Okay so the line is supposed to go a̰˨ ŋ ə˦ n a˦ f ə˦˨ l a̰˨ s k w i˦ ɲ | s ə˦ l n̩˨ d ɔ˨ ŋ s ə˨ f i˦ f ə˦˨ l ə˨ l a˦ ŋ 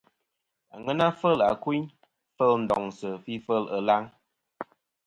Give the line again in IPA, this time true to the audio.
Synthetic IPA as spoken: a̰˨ ŋ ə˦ n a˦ f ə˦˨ l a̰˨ k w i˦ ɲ | f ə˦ l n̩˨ d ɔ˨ ŋ s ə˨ f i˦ f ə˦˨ l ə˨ l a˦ ŋ

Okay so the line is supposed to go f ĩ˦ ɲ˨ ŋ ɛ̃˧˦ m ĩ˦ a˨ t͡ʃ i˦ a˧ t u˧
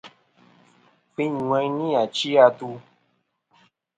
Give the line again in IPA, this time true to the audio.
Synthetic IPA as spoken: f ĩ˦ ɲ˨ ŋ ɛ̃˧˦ n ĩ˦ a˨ t͡ʃ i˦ a˧ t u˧

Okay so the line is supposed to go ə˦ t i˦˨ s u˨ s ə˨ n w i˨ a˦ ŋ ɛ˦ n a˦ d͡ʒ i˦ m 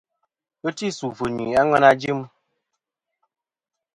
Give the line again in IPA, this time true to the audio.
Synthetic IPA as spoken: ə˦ t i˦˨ s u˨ f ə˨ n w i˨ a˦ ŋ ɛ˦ n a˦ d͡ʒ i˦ m

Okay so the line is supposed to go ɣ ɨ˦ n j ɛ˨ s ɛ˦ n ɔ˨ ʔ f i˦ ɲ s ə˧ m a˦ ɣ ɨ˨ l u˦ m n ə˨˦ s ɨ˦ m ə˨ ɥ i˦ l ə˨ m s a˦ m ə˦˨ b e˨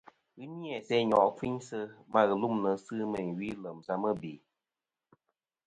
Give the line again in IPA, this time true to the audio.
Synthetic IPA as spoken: ɣ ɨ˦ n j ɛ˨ s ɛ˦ ɲ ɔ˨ ʔ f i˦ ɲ s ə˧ m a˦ ɣ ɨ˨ l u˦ m n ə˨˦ s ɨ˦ m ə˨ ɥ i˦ l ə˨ m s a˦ m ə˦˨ b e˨

